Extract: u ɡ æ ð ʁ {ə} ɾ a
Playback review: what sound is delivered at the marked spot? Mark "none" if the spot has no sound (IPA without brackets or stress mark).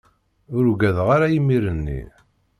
a